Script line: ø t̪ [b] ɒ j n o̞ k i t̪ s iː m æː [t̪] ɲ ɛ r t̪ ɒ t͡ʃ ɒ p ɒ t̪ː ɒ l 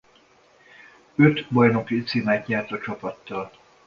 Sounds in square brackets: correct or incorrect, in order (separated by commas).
correct, correct